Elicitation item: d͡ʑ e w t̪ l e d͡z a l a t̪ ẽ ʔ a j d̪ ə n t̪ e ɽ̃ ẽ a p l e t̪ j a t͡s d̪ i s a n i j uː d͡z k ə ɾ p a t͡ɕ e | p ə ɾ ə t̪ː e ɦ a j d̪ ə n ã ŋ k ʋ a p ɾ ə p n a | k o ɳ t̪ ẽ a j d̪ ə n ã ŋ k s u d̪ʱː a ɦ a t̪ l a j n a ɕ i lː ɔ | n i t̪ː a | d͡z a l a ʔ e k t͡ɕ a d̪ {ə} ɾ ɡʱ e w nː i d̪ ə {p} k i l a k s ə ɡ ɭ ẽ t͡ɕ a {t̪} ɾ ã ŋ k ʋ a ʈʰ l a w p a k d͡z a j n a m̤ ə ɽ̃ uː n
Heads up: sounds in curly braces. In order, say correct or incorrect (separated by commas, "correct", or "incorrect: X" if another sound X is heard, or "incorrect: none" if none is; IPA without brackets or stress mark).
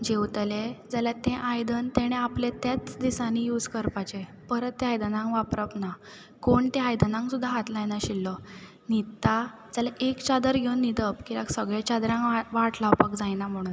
correct, correct, incorrect: d̪